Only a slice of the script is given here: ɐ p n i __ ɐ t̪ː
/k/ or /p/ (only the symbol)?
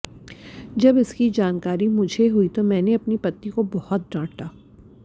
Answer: p